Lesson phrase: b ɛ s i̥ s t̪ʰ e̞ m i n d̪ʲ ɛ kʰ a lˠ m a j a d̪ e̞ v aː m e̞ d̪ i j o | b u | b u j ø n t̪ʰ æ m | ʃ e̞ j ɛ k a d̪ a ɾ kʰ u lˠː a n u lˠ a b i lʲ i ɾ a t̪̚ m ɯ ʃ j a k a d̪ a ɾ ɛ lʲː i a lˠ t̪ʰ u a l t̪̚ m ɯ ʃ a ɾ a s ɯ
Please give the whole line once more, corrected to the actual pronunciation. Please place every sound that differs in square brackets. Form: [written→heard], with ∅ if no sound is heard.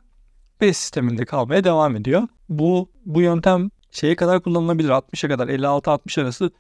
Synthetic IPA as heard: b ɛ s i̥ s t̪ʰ e̞ m i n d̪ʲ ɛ kʰ a lˠ m a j a d̪ e̞ v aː m e̞ d̪ i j o | b u | b u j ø n t̪ʰ æ m | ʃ e̞ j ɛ k a d̪ a ɾ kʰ u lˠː a n [u→ɯ] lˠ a b i lʲ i ɾ a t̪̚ m ɯ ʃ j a k a d̪ a ɾ ɛ lʲː i a lˠ t̪ʰ [u→ɯ] a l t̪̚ m ɯ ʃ a ɾ a s ɯ